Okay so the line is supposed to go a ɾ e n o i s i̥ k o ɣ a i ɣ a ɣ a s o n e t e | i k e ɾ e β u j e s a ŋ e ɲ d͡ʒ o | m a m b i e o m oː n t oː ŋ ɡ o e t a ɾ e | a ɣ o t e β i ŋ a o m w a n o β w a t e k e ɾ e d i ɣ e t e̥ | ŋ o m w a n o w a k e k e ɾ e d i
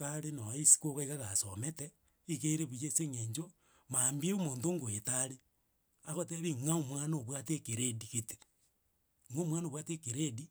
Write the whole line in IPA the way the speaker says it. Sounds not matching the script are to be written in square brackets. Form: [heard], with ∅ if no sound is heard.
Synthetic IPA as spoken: a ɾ e n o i s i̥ k o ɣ a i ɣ a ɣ a s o [m] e t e | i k e ɾ e β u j e s [e] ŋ e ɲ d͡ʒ o | m a m b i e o m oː n t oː ŋ ɡ o e t a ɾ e | a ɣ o t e β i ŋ a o m w a n o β w a t e k e ɾ e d i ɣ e t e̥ | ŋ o m w a n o w a [t] e k e ɾ e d i